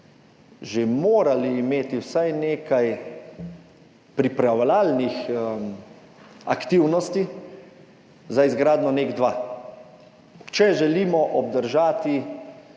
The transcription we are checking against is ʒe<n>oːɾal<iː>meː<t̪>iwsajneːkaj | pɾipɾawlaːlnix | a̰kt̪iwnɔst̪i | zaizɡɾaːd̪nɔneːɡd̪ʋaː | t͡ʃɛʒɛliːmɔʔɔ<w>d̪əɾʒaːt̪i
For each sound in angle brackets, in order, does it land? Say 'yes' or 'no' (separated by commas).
no, yes, yes, no